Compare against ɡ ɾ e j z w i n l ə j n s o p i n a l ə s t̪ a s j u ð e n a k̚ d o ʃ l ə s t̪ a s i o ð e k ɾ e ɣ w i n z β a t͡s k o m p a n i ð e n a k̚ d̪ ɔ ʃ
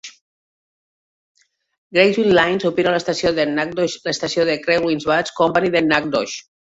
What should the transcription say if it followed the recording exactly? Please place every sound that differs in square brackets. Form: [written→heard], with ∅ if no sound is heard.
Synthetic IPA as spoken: ɡ ɾ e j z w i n l [ə→a] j n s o p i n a l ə s t̪ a s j [u→o] ð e n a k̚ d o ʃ l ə s t̪ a s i o ð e k ɾ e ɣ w i n z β a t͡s k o m p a n i ð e n a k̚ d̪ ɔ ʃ